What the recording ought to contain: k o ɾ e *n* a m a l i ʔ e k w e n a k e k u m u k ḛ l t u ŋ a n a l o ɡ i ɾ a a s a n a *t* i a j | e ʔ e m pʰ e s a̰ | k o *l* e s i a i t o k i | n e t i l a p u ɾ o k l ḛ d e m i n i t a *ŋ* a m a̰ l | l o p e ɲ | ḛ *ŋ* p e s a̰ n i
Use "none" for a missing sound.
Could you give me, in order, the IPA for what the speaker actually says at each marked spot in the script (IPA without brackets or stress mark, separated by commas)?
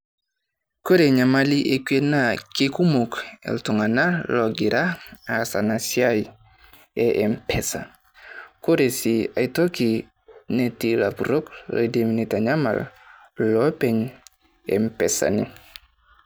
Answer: ɲ, s, ɾ, ɲ, m